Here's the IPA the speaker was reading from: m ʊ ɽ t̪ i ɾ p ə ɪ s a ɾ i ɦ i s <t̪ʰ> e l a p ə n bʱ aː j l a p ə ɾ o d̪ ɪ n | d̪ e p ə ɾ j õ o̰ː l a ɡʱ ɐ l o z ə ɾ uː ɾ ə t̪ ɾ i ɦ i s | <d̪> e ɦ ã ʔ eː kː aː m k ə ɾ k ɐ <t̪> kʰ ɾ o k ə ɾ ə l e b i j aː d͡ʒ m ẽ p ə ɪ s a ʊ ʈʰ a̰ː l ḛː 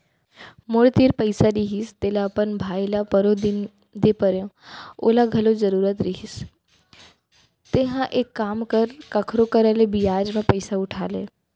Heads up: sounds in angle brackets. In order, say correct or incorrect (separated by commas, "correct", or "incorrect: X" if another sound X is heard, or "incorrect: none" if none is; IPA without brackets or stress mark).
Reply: incorrect: t̪, incorrect: t̪, incorrect: none